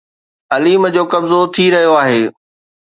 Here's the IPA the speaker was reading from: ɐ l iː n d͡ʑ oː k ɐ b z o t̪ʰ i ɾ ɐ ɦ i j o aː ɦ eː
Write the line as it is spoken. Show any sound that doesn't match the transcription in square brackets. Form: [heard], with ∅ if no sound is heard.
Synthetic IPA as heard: ɐ l iː [m] d͡ʑ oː k ɐ b z o t̪ʰ i ɾ ɐ ɦ i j o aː ɦ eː